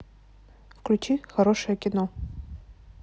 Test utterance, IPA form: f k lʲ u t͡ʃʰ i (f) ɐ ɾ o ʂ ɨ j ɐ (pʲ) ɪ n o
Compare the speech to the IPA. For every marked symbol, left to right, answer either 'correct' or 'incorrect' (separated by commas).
incorrect, incorrect